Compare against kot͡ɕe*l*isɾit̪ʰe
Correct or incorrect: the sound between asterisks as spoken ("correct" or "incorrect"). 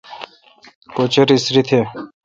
incorrect